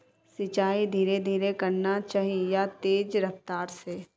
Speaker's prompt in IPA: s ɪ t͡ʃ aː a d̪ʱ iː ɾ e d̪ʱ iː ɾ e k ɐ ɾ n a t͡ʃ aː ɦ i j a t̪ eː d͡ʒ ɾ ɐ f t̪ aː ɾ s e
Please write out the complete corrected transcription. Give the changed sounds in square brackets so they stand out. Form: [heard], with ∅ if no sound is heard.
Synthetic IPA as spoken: s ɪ t͡ʃ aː [i] d̪ʱ iː ɾ e d̪ʱ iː ɾ e k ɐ ɾ n a t͡ʃ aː ɦ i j a t̪ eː d͡ʒ ɾ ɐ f t̪ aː ɾ s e